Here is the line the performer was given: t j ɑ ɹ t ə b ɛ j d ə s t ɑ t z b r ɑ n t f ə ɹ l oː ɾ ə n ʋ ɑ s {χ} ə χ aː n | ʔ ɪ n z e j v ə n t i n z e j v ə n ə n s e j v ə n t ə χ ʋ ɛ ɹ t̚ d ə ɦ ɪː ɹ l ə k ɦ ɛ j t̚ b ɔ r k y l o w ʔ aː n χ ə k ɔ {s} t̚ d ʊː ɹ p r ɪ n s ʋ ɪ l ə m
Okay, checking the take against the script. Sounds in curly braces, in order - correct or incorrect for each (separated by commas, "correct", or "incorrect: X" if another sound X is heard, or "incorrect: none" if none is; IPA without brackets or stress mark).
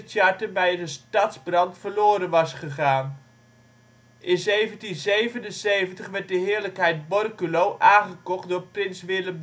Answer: correct, incorrect: χ